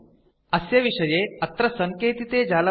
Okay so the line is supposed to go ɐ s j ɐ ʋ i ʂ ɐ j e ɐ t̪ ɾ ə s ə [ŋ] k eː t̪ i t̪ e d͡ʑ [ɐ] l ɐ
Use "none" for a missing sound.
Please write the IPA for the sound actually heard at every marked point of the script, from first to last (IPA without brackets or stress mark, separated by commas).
ŋ, a